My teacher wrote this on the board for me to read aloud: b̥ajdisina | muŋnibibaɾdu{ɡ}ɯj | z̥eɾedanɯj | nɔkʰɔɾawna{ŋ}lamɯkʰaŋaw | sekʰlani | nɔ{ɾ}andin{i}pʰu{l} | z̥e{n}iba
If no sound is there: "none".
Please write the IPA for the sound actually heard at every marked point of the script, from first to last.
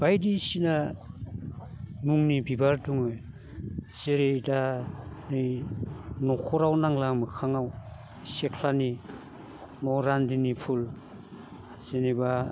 ŋ, ŋ, ɾ, i, l, n

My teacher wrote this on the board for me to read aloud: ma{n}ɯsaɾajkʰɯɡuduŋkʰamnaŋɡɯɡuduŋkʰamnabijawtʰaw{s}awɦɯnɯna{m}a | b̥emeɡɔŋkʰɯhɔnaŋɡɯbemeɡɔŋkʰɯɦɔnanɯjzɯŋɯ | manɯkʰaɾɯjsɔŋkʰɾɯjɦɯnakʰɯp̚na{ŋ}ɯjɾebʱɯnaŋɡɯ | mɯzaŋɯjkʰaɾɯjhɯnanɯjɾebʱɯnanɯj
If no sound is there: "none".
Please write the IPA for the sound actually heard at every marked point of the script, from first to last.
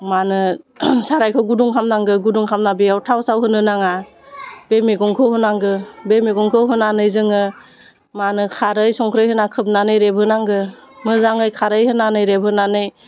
n, s, ŋ, n

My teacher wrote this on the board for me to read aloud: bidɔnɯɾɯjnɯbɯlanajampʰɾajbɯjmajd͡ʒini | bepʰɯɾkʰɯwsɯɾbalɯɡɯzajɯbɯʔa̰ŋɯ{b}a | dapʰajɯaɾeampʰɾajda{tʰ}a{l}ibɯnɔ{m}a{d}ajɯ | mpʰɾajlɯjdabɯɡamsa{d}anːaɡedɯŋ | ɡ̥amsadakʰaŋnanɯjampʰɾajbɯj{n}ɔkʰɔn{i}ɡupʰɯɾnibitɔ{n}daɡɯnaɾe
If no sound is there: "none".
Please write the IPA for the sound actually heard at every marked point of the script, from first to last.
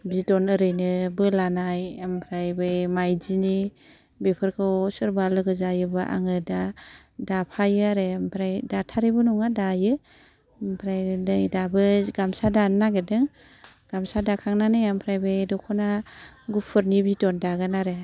d, tʰ, ɾ, ŋ, d, d, d, a, n

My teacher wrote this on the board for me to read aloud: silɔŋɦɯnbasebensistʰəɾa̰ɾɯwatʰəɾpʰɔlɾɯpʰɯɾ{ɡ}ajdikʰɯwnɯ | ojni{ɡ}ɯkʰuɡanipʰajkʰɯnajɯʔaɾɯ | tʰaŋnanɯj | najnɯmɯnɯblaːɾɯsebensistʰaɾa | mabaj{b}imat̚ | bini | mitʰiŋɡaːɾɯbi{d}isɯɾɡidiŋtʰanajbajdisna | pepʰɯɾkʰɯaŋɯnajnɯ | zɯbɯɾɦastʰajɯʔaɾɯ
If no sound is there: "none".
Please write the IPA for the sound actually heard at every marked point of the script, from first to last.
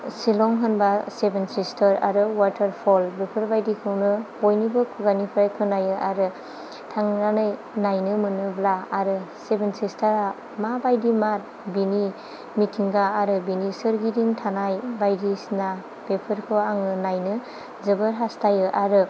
b, b, d, n

